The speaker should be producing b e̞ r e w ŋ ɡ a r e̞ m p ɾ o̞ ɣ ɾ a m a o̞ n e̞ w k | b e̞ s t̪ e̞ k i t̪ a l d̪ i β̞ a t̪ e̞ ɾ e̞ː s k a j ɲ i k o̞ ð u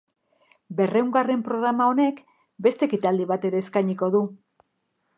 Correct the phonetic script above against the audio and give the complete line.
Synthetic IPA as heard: b e̞ r e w ŋ ɡ a r e̞ m p ɾ o̞ ɣ ɾ a m a o̞ n e̞ k | b e̞ s t̪ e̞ k i t̪ a l d̪ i β̞ a t̪ e̞ ɾ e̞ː s k a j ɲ i k o̞ ð u